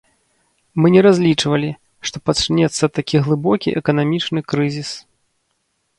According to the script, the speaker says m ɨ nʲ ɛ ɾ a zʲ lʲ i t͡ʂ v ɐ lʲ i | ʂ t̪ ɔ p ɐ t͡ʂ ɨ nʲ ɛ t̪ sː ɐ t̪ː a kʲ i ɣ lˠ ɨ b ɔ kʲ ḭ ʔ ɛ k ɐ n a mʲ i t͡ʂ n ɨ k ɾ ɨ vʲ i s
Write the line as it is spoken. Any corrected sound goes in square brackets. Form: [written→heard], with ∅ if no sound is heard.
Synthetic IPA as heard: m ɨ nʲ ɛ ɾ a zʲ lʲ i t͡ʂ v ɐ lʲ i | ʂ t̪ ɔ p ɐ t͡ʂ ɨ nʲ ɛ t̪ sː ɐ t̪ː a kʲ i ɣ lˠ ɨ b ɔ kʲ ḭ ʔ ɛ k ɐ n a mʲ i t͡ʂ n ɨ k ɾ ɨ [vʲ→zʲ] i s